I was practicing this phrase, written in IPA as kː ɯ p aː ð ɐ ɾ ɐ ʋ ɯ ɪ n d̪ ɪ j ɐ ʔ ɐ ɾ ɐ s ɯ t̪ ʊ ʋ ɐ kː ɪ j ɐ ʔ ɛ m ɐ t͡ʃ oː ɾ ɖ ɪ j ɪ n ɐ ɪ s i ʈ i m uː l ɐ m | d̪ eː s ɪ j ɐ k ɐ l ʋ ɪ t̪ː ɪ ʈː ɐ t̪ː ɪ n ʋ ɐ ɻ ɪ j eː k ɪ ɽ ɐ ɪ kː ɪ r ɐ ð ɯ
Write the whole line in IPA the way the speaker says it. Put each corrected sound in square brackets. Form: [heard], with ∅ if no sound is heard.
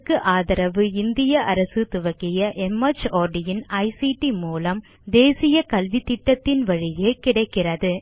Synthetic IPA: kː ɯ [ʔ] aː ð ɐ ɾ ɐ ʋ ɯ ɪ n d̪ ɪ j ɐ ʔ ɐ ɾ ɐ s ɯ t̪ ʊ ʋ ɐ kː ɪ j ɐ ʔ ɛ m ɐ t͡ʃ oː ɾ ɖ ɪ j ɪ n ɐ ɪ s i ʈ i m uː l ɐ m | d̪ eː s ɪ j ɐ k ɐ l ʋ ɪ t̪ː ɪ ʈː ɐ t̪ː ɪ n ʋ ɐ ɻ ɪ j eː k ɪ ɽ ɐ ɪ kː ɪ r ɐ ð ɯ